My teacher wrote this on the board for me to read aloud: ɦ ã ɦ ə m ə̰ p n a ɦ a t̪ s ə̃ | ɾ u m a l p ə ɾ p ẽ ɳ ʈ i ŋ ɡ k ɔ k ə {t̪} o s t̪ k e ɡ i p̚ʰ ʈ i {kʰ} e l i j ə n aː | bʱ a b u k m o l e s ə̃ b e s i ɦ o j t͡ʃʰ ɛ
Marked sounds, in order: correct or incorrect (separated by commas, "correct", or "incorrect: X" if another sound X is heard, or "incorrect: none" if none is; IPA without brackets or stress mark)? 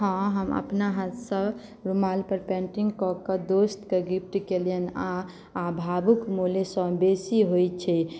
incorrect: d̪, incorrect: k